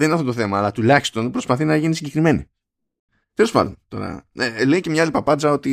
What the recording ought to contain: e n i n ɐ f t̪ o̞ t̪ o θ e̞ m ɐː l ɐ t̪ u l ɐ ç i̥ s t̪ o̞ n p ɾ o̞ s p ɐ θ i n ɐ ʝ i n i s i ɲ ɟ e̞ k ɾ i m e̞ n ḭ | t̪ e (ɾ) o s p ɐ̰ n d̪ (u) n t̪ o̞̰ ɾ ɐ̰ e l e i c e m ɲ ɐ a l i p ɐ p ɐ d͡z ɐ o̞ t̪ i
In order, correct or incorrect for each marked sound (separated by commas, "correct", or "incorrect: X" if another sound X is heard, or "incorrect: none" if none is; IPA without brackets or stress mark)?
incorrect: l, incorrect: o